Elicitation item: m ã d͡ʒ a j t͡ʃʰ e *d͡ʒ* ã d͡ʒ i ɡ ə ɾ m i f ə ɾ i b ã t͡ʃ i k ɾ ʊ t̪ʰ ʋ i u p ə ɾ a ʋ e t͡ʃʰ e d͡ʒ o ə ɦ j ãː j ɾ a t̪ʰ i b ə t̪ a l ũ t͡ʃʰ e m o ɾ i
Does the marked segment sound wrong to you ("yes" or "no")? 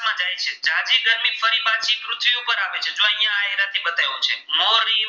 no